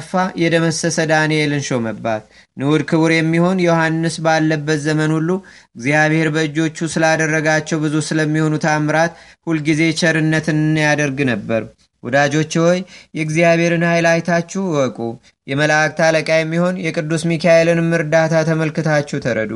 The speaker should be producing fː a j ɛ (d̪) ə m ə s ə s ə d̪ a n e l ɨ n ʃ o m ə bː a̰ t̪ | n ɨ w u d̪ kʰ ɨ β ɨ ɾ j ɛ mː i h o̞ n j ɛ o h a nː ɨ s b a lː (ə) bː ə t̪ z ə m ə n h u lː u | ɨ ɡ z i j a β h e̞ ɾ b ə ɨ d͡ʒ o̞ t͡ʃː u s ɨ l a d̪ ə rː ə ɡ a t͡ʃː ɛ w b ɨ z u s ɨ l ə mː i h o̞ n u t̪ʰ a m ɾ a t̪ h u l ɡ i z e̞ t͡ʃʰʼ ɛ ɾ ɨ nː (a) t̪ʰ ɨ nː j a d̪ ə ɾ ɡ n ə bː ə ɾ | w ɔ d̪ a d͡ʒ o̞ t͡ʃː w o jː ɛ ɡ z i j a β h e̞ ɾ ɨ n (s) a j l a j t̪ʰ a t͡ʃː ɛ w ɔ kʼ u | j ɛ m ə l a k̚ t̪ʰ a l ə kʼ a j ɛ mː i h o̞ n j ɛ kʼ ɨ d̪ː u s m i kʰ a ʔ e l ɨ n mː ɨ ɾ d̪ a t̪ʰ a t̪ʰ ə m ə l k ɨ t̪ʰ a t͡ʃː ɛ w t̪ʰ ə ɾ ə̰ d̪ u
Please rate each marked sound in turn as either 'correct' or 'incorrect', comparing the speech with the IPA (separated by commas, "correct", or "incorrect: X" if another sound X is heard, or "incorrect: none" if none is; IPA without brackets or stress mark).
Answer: correct, correct, incorrect: ə, incorrect: h